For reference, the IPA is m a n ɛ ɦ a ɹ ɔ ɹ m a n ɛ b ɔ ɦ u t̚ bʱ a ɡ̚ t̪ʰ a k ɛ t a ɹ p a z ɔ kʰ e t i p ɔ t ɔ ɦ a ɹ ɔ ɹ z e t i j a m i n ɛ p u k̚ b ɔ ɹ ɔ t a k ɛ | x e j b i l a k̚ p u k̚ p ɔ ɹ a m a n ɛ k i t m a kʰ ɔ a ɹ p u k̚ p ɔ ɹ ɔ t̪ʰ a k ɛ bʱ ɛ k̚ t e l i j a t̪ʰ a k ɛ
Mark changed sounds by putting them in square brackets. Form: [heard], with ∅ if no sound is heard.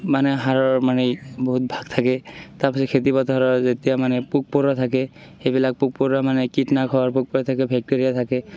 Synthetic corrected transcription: m a n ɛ ɦ a ɹ ɔ ɹ m a n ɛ b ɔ ɦ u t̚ bʱ a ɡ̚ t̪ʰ a k ɛ t a ɹ p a [s] ɔ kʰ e t i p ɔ t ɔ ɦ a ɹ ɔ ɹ z e t i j a m [a] n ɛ p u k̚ [p] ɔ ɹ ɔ [tʰ] a k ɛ | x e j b i l a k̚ p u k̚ p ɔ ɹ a m a n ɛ k i t [n] a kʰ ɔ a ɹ p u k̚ p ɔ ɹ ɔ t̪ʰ a k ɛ bʱ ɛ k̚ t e [ɹ] i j a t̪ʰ a k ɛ